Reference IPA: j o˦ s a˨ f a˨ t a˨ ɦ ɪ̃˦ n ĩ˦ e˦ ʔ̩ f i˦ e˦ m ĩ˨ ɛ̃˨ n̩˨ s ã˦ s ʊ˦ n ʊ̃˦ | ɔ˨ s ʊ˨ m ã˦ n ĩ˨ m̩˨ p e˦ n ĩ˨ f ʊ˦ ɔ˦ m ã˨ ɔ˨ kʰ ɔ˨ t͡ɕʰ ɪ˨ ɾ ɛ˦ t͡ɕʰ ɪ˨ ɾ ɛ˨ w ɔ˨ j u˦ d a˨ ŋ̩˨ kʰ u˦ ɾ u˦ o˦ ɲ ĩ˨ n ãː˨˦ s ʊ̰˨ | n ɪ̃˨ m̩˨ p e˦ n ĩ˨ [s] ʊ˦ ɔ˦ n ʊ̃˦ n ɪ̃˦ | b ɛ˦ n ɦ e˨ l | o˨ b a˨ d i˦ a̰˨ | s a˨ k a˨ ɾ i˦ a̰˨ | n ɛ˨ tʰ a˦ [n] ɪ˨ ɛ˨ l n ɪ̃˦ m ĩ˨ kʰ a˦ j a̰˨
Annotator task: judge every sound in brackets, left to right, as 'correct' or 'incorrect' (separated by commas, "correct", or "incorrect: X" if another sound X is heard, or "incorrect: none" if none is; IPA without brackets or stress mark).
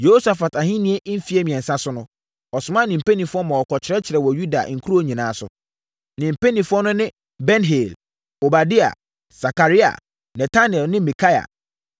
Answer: incorrect: f, correct